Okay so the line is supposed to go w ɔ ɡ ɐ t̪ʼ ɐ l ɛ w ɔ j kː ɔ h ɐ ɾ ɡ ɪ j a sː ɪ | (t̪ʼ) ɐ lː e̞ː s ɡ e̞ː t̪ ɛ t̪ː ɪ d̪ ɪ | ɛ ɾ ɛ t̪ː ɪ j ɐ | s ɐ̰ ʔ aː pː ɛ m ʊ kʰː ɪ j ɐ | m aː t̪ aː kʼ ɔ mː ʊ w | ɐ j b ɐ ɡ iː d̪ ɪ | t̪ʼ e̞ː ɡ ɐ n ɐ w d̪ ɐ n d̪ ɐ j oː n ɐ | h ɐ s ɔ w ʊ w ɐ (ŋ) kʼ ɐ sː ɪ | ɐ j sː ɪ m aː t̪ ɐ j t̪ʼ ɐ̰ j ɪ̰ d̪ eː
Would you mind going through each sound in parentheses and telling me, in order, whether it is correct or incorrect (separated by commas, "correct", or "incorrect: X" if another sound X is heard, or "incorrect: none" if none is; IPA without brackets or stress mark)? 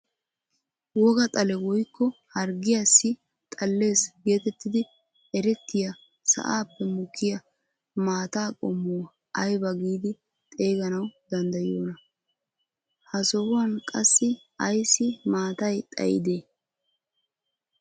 correct, incorrect: n